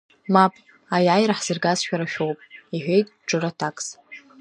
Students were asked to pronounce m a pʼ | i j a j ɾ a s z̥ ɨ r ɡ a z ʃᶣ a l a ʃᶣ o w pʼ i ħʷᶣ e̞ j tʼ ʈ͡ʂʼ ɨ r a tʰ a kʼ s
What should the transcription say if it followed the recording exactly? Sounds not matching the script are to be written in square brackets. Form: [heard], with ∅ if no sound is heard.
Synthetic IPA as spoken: m a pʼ | [a] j a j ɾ a [ħ] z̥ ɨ r ɡ a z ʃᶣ a [ɾ] a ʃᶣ o w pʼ i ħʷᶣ e̞ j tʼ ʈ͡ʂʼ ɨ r a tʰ a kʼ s